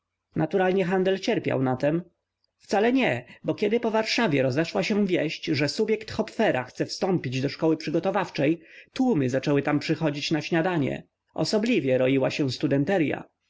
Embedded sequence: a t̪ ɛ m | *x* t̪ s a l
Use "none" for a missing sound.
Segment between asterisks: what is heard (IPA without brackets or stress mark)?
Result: f